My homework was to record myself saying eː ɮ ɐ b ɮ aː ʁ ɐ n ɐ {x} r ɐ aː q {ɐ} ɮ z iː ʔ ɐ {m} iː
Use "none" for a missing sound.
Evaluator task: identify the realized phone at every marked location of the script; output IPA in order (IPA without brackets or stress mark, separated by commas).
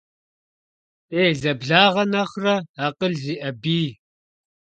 χ, ə, b